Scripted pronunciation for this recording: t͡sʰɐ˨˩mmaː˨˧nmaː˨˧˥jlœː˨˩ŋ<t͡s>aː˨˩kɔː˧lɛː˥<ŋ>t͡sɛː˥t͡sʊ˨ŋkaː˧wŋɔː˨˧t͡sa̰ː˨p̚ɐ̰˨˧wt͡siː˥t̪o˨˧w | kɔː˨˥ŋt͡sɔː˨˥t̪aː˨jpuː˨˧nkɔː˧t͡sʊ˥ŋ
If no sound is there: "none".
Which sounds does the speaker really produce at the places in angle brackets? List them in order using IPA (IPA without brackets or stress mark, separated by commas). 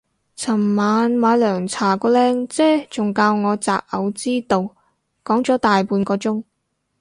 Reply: t͡sʰ, ŋ